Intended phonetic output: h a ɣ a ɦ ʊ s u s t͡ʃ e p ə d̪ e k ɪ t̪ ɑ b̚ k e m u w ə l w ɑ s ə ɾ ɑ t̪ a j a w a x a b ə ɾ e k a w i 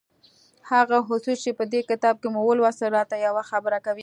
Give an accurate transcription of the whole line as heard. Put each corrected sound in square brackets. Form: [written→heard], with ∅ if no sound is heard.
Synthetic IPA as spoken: h a ɣ a ɦ ʊ s u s t͡ʃ e p ə d̪ e k ɪ t̪ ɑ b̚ k e m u w ə l w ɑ s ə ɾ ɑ t̪ a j a w a x a b ə ɾ [e→a] k a w i